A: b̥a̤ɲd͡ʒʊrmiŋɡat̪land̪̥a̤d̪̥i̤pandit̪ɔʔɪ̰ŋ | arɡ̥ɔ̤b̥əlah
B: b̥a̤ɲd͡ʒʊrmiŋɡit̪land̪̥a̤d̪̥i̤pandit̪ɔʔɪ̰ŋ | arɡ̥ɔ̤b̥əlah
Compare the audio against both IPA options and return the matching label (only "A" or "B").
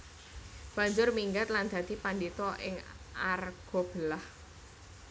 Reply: A